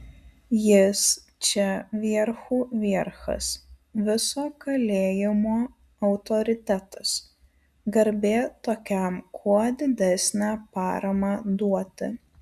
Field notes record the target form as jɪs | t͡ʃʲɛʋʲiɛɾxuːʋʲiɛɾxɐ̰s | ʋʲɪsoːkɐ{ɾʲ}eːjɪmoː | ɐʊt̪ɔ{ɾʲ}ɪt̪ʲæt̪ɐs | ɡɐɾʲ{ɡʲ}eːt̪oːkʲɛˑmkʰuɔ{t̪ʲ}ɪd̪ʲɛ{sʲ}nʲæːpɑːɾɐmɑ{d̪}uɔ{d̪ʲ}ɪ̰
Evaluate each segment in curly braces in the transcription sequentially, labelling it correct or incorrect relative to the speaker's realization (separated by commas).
incorrect, correct, incorrect, incorrect, correct, correct, incorrect